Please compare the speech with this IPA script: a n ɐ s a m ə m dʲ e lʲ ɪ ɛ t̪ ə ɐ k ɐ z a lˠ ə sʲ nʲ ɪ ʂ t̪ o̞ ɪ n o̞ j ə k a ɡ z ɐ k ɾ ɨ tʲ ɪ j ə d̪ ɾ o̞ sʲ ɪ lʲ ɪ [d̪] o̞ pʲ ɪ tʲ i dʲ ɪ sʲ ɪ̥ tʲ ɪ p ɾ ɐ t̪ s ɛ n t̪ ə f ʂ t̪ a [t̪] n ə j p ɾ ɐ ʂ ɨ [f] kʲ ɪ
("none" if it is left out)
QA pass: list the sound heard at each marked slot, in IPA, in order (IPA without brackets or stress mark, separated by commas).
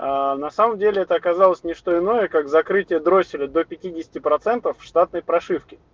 d̪, t̪, f